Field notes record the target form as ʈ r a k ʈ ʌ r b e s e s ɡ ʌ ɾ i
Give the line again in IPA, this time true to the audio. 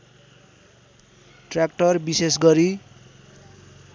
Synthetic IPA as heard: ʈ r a k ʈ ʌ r b i s e s ɡ ʌ ɾ i